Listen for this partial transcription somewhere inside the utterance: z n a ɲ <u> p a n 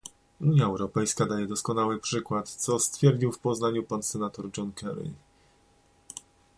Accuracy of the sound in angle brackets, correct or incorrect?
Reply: correct